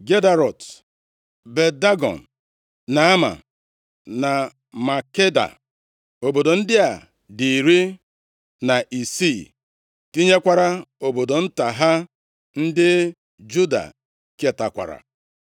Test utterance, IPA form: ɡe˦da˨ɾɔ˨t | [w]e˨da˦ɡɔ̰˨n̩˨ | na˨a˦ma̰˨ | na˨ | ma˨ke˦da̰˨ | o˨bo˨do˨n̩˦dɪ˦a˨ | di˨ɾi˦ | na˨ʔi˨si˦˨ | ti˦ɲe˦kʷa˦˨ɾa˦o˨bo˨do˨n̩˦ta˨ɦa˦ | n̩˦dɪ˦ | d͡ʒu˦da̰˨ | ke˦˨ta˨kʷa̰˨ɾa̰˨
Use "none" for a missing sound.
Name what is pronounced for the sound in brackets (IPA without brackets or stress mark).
b